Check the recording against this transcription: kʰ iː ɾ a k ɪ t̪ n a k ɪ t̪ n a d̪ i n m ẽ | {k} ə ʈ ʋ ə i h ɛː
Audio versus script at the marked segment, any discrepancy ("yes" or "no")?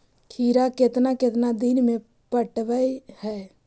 yes